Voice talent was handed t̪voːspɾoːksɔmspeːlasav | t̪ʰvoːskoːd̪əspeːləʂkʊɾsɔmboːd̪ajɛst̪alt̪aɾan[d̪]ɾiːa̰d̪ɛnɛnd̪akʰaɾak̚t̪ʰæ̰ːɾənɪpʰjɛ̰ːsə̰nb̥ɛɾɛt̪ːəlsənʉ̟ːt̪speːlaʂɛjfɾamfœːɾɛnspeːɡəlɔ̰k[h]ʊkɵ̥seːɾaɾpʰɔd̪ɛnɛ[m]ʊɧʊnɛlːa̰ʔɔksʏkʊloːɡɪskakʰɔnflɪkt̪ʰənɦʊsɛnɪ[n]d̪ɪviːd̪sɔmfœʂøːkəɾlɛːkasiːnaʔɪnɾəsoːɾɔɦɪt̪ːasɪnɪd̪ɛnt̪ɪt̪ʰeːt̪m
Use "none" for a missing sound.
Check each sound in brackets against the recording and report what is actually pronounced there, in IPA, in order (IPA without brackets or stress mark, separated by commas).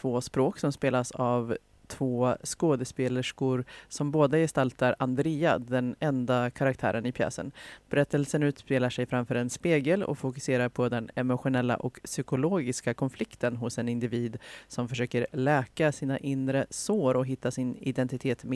d̪, f, m, n